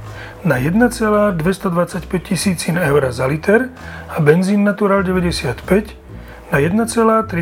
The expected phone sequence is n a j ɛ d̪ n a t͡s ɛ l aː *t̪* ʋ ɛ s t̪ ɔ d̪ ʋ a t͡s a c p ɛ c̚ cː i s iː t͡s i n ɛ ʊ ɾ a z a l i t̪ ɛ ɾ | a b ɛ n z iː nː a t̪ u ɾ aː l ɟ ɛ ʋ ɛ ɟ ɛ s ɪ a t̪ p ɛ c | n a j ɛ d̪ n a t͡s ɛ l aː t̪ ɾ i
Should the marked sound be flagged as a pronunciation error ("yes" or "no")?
yes